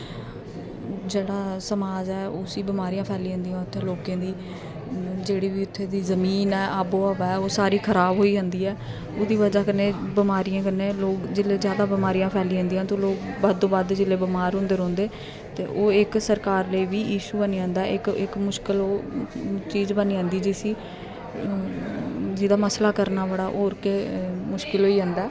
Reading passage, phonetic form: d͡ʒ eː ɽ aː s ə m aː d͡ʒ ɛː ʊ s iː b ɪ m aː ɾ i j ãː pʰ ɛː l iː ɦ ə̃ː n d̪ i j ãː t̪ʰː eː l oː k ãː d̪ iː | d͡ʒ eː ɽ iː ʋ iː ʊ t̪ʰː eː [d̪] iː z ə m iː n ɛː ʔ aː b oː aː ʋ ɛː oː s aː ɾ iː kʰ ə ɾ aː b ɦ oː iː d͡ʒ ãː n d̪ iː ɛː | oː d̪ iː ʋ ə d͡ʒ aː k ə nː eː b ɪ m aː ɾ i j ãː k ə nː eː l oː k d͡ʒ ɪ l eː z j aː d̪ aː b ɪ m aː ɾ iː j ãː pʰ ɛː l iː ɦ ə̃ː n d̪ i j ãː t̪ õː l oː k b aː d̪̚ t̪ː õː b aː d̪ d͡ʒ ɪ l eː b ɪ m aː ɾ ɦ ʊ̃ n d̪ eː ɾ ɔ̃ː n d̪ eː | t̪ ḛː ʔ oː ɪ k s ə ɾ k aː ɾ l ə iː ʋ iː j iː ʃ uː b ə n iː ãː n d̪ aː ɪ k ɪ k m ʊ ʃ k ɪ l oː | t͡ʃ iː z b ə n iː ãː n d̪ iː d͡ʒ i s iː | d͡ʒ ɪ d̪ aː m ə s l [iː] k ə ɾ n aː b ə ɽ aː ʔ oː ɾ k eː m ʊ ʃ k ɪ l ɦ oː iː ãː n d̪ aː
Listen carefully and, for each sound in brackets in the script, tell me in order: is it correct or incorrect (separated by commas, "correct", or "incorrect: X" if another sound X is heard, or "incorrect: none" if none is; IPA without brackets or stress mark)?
correct, incorrect: aː